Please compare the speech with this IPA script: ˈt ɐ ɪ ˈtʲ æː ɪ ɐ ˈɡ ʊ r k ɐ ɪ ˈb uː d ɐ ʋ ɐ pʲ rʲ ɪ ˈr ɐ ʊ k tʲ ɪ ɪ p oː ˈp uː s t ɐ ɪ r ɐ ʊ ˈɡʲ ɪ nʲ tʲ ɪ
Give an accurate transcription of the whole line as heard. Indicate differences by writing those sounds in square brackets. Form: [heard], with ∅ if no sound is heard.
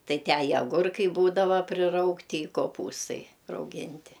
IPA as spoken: ˈt ɐ ɪ ˈtʲ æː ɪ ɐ ˈɡ ʊ r k ɐ ɪ ˈb uː d ɐ ʋ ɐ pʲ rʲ ɪ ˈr ɐ ʊ k tʲ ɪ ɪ [k] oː ˈp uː s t ɐ ɪ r ɐ ʊ ˈɡʲ ɪ nʲ tʲ ɪ